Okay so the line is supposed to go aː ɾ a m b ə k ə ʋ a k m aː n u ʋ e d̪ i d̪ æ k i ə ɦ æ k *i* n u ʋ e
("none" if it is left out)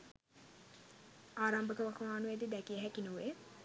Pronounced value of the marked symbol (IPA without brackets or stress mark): i